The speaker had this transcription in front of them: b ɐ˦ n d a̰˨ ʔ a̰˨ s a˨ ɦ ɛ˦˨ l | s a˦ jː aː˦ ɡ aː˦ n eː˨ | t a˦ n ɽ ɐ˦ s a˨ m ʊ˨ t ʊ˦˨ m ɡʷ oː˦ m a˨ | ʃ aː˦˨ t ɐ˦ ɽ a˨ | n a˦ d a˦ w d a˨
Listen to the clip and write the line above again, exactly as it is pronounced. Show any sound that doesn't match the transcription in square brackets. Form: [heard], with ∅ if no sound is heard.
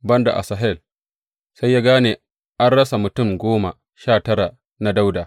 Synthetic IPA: b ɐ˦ n d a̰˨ ʔ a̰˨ s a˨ ɦ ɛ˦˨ l | s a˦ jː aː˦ ɡ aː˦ n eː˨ | [ʔ] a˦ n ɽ ɐ˦ s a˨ m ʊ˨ t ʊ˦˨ m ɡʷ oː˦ m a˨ | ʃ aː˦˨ t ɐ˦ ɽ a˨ | n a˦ d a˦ w d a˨